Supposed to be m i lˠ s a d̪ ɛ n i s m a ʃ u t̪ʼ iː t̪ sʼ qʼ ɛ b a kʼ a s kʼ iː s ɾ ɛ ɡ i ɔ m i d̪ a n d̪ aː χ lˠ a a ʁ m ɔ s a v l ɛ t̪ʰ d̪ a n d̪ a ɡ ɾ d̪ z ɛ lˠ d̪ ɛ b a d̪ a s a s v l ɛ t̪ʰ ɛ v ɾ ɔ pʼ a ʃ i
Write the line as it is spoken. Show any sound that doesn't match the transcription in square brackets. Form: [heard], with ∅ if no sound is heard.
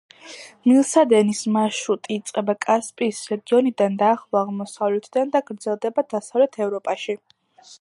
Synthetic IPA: m i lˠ s a d̪ ɛ n i s m a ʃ u t̪ʼ iː t̪ sʼ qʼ ɛ b a kʼ a s [pʼ] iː s ɾ ɛ ɡ i ɔ [n] i d̪ a n d̪ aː χ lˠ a a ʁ m ɔ s a v l ɛ t̪ʰ d̪ a n d̪ a ɡ ɾ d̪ z ɛ lˠ d̪ ɛ b a d̪ a s a [∅] v l ɛ t̪ʰ ɛ v ɾ ɔ pʼ a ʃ i